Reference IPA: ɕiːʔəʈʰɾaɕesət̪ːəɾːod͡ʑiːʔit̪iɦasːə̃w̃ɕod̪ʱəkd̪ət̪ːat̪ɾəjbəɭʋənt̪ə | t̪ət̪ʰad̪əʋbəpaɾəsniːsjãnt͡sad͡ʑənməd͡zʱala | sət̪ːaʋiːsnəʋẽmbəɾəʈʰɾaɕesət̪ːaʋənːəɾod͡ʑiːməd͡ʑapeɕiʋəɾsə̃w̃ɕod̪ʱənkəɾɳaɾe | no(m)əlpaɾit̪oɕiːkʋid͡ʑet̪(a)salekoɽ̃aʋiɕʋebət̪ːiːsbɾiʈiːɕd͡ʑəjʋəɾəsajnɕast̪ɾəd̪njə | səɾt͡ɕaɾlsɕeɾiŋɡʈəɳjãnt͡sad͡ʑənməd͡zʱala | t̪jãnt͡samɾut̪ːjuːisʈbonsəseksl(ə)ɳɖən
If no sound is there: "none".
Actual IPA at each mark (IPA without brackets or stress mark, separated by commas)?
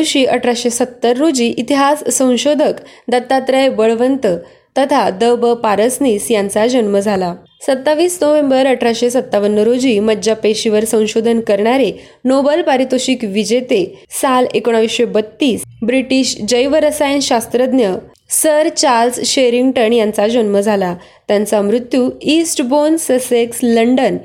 b, e, ə